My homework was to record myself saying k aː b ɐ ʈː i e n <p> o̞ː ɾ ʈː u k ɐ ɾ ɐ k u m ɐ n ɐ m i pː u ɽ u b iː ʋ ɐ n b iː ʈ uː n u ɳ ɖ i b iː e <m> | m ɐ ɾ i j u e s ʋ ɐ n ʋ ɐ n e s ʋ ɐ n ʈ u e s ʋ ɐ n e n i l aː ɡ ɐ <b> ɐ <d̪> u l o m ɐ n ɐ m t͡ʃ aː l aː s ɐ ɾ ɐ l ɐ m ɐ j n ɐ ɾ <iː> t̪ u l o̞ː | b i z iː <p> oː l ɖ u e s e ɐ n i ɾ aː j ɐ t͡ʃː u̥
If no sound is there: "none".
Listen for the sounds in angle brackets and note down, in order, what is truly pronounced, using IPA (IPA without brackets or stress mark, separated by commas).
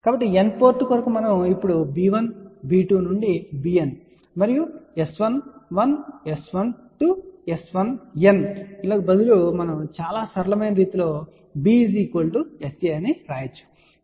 p, n, b, d̪, iː, k